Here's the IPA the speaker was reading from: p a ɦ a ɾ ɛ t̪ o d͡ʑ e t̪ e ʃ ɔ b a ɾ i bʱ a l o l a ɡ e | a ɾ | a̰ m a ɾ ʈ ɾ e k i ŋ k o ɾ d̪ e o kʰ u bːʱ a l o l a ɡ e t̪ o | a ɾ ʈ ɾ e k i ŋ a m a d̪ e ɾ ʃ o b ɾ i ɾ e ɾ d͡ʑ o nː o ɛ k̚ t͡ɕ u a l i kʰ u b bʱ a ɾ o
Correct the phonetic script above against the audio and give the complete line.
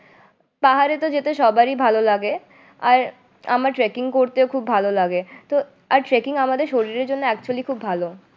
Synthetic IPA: p a ɦ a ɾ e t̪ o d͡ʑ e t̪ e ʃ ɔ b a ɾ i bʱ a l o l a ɡ e | a ɾ | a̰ m a ɾ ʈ ɾ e k i ŋ k o ɾ t̪ e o kʰ u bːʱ a l o l a ɡ e t̪ o | a ɾ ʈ ɾ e k i ŋ a m a d̪ e ɾ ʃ o ɾ i ɾ e ɾ d͡ʑ o nː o ɛ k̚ t͡ɕ u a l i kʰ u b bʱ a l o